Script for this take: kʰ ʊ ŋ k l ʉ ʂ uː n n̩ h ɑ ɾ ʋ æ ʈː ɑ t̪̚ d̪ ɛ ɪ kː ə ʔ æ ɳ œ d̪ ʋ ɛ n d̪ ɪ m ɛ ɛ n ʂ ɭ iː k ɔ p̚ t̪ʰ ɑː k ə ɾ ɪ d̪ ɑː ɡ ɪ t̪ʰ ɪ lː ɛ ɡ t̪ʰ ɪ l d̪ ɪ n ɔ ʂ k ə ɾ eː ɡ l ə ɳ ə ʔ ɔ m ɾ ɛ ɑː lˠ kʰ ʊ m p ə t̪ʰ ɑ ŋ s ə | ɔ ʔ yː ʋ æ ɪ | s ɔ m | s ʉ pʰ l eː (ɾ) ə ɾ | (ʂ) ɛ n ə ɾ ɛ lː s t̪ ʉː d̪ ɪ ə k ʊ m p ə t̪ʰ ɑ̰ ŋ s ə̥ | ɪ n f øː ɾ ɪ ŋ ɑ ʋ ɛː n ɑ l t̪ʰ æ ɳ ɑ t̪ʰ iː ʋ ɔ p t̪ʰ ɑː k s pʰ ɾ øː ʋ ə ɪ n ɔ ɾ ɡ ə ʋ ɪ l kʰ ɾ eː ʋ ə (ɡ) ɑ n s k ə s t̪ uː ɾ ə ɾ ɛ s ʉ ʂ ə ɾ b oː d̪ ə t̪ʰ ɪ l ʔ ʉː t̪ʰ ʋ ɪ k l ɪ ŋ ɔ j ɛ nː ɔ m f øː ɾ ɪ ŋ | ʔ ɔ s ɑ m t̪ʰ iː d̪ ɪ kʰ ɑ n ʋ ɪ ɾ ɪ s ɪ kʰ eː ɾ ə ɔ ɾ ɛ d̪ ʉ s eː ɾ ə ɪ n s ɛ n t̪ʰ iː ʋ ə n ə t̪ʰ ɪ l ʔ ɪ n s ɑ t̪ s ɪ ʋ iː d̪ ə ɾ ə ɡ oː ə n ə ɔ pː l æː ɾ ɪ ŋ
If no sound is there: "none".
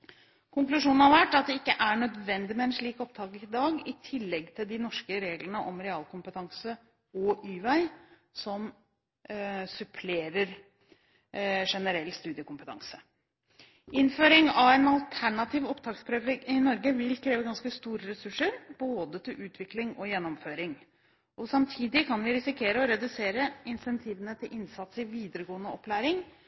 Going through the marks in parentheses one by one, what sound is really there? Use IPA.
ɾ, ʂ, ɡ

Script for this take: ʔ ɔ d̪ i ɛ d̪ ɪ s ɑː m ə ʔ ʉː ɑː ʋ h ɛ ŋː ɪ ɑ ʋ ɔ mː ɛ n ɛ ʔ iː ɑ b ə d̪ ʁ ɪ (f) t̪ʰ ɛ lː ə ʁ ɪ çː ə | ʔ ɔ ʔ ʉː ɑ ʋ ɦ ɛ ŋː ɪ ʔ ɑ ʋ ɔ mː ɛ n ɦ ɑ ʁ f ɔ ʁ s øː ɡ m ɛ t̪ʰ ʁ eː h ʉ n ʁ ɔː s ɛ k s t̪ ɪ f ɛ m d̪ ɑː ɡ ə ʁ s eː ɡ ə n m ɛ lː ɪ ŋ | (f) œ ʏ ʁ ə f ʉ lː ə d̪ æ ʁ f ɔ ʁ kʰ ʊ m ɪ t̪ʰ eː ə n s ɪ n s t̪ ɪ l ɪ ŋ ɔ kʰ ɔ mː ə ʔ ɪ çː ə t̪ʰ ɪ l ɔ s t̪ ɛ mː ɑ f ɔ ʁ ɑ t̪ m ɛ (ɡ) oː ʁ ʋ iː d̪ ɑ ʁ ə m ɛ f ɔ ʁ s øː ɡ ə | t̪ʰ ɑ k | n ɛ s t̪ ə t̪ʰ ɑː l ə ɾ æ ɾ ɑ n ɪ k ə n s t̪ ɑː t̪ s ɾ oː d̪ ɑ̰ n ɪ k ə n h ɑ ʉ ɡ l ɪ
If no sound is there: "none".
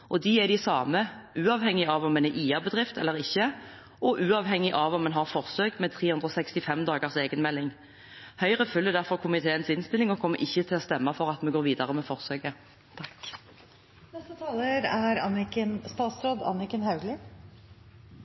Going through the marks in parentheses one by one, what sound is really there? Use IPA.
f, h, ɡ

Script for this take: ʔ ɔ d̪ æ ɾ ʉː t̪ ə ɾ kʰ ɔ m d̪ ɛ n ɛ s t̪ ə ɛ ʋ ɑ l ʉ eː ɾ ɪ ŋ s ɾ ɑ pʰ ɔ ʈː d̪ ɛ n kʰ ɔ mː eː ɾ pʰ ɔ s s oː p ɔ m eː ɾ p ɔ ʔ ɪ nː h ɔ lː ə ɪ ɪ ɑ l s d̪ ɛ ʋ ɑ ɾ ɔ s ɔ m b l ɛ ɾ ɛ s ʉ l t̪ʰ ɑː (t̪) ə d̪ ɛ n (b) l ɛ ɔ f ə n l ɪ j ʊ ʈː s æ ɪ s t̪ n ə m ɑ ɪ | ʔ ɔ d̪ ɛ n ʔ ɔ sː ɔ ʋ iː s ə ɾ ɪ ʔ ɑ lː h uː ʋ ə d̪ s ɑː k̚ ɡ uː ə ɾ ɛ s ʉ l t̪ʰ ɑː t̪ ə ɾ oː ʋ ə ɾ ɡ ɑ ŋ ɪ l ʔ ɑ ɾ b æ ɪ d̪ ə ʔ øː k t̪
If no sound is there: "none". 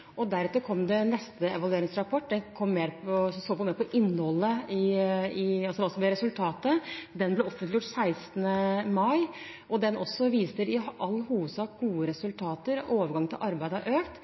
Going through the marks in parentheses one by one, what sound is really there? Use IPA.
t̪, b

